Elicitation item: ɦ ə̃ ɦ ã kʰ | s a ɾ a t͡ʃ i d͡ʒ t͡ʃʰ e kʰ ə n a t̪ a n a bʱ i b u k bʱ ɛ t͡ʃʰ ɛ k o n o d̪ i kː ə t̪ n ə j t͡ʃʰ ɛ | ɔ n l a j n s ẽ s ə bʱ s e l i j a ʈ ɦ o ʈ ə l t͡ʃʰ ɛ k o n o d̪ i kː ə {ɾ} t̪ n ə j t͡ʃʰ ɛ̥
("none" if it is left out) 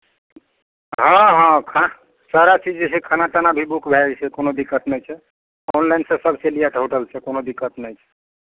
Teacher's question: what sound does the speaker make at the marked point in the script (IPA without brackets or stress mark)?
none